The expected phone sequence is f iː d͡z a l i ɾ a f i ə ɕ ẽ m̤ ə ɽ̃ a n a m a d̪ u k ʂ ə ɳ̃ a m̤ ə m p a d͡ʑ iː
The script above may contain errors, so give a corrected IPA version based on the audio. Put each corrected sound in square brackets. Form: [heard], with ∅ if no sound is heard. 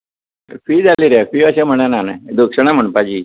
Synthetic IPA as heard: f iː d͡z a l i ɾ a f i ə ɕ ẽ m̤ ə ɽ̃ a n a [n] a d̪ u k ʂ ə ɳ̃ a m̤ ə [ɳ] p a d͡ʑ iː